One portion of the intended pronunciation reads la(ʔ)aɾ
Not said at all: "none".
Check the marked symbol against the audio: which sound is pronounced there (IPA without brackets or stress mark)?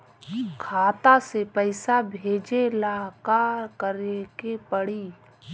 k